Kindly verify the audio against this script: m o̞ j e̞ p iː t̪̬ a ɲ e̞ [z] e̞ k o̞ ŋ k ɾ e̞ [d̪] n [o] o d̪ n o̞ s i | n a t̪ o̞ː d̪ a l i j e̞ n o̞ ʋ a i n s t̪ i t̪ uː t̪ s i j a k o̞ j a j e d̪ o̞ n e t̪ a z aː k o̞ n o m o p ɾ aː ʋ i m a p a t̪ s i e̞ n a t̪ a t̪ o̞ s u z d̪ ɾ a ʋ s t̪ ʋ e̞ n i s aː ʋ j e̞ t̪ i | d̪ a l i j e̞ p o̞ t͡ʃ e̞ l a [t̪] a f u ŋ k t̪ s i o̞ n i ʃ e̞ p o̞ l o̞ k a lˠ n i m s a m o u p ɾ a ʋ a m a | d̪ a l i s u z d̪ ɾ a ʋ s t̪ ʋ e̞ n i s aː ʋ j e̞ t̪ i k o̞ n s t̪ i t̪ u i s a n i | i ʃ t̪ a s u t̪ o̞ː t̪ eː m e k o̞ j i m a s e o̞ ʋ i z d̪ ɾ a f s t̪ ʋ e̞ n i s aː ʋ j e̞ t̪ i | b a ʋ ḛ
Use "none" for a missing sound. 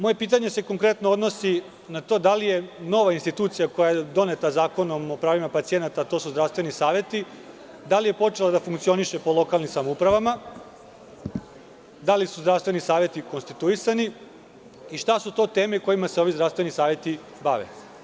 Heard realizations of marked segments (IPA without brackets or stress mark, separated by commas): s, t̪, o, d̪